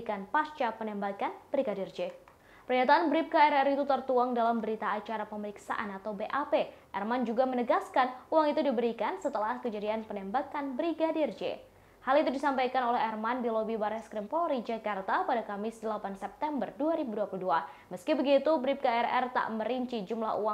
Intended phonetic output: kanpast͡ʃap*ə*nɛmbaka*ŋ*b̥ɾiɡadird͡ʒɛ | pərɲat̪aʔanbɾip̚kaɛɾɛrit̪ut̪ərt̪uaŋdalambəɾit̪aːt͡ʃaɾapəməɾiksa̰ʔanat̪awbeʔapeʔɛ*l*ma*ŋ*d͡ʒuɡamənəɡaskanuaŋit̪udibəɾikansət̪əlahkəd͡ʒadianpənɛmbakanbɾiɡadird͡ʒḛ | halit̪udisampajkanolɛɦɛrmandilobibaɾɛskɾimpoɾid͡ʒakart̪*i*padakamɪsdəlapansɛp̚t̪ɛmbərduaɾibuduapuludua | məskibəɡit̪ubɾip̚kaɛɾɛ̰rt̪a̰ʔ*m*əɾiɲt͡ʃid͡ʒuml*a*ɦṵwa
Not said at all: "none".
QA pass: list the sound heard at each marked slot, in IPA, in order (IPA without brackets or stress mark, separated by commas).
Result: ə, n, r, n, a, m, a